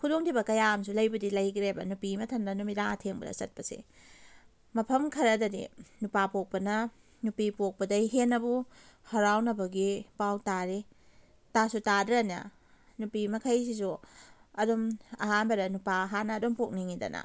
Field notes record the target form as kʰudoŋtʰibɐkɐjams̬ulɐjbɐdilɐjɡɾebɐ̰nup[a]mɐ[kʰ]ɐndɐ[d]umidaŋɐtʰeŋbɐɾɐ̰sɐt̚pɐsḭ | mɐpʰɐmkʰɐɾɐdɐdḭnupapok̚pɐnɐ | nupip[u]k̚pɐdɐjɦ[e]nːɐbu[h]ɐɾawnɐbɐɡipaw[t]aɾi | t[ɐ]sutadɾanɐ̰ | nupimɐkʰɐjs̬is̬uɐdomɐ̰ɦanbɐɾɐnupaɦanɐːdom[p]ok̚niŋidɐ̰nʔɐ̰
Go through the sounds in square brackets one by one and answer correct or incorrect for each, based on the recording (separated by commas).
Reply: incorrect, incorrect, incorrect, incorrect, correct, correct, correct, incorrect, correct